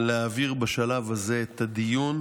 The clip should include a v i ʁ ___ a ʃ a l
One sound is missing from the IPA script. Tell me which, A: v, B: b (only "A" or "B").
B